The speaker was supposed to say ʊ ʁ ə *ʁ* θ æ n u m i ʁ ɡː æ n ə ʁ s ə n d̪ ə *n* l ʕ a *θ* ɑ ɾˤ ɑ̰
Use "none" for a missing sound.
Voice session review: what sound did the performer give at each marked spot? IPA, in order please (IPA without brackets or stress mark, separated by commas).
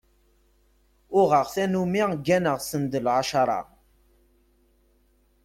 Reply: ʁ, none, ʃ